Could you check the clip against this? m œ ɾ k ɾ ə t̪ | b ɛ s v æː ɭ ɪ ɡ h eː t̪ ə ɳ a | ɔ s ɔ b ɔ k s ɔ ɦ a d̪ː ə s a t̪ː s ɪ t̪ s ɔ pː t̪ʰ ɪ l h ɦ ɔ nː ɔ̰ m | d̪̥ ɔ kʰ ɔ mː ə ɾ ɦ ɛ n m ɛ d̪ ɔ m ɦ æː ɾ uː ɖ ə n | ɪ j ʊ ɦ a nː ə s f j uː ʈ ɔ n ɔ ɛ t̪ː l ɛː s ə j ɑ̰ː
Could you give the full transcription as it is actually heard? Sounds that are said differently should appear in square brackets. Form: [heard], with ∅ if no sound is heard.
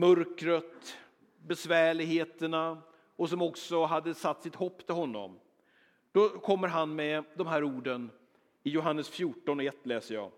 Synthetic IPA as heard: m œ ɾ k ɾ ə t̪ | b ɛ s v æː ɭ ɪ ɡ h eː t̪ ə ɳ a | ɔ s ɔ [m] ɔ k s ɔ ɦ a d̪ː ə s a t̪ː s ɪ t̪ [h] ɔ pː t̪ʰ ɪ l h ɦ ɔ nː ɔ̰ m | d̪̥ ɔ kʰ ɔ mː ə ɾ ɦ [a] n m ɛ d̪ ɔ m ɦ æː ɾ uː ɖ ə n | ɪ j ʊ ɦ a nː ə s f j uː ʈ ɔ n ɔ ɛ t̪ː l ɛː s ə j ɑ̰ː